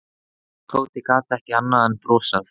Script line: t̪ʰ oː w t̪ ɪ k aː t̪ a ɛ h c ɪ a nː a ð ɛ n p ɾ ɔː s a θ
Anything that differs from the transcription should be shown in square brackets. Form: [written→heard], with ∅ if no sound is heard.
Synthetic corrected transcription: t̪ʰ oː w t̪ ɪ k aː t̪ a ɛ h c ɪ a nː a ð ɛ n p ɾ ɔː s a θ

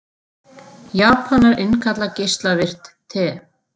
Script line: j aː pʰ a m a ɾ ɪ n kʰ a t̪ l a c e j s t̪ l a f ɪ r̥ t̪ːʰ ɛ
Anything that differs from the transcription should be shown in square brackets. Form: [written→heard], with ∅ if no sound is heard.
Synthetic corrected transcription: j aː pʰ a [m→n] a ɾ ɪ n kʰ a t̪ l a c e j s t̪ l a [f→v] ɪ r̥ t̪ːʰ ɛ

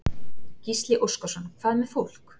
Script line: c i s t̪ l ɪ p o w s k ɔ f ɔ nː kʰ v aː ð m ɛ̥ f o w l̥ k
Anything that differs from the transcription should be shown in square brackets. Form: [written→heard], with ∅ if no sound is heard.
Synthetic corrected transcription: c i s t̪ l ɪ [p→ʔ] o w s k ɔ [f→s] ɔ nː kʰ v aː ð m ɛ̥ f o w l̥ k

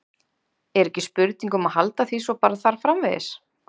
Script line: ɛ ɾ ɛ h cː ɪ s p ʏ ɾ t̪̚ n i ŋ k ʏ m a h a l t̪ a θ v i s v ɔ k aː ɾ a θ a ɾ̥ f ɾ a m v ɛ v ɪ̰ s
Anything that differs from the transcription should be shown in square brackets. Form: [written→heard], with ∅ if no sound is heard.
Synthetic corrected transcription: ɛ ɾ ɛ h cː ɪ s p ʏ ɾ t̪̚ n i ŋ k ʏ m a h a l t̪ a θ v i s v ɔ [k→p] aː ɾ a θ a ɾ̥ f ɾ a m v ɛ [v→ð] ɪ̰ s

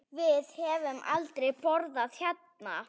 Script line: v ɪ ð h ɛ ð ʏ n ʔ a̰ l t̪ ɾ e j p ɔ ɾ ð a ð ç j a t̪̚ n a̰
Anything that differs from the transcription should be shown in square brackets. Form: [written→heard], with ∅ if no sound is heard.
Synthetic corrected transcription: v ɪ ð h ɛ [ð→v] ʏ [n→m] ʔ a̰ l t̪ ɾ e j p ɔ ɾ ð a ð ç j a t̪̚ n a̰

